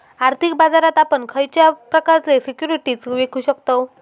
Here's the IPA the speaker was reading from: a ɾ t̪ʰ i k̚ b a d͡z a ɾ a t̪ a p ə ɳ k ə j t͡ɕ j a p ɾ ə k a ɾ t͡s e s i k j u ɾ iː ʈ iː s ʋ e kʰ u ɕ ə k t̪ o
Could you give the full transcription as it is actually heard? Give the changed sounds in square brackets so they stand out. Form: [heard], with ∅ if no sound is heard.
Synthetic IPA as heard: a ɾ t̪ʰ i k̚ b a d͡z a ɾ a t̪ a p ə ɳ [kʰ] ə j t͡ɕ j a p ɾ ə k a ɾ t͡s e s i k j u ɾ [i] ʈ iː [t͡s] ʋ e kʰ u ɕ ə k t̪ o